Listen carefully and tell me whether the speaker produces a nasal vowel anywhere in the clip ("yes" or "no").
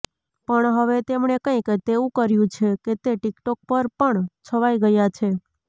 yes